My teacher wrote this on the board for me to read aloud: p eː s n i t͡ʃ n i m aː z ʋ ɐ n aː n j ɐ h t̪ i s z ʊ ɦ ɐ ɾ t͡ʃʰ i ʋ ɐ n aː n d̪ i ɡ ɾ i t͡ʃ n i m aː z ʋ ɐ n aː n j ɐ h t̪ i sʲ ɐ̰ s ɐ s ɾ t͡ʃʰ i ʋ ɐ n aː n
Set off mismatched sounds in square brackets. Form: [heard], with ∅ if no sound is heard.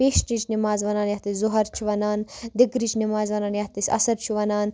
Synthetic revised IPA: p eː [ʃ] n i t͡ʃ n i m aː z ʋ ɐ n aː n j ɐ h t̪ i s z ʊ ɦ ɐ ɾ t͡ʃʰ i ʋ ɐ n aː n d̪ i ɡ ɾ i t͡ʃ n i m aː z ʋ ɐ n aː n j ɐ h t̪ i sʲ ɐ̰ s ɐ [∅] ɾ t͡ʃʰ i ʋ ɐ n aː n